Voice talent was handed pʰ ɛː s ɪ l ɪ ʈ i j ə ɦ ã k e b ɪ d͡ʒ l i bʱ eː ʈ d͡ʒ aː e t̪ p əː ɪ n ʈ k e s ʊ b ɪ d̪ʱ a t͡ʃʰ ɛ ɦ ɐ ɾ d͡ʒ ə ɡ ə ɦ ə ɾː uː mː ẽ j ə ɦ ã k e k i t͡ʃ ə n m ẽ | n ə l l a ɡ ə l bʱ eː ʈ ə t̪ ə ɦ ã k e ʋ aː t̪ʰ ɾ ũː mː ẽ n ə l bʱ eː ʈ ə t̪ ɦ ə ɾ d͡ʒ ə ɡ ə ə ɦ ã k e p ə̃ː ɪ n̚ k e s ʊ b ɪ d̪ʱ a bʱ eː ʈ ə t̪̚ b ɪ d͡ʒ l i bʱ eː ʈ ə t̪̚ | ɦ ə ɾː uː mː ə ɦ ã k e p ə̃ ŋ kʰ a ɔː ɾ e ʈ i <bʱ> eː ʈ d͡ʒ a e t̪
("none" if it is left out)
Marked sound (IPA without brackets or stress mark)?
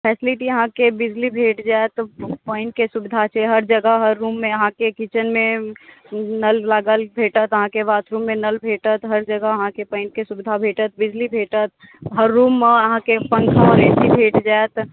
bʱ